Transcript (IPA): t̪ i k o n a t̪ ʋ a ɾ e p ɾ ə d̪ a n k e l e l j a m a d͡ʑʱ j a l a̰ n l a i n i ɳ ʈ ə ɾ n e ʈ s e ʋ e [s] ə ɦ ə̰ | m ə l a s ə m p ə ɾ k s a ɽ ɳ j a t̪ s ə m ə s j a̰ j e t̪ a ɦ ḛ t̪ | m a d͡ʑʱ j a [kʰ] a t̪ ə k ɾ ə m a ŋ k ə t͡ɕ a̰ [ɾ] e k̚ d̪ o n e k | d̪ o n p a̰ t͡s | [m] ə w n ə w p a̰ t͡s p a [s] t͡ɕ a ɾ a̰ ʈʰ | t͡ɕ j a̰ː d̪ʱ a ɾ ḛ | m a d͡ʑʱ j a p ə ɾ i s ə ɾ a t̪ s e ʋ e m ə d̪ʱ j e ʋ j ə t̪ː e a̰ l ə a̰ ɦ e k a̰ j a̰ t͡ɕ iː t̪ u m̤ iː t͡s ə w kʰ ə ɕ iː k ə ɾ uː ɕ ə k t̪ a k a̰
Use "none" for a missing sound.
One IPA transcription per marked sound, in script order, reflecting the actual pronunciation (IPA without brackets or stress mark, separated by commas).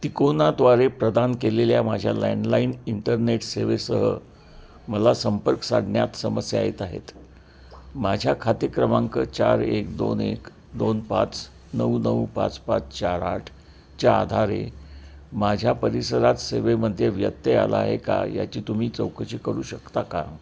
s, kʰ, ɾ, n, t͡s